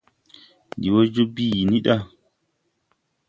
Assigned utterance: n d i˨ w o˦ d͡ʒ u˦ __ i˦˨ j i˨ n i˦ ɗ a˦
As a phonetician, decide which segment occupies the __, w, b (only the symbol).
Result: b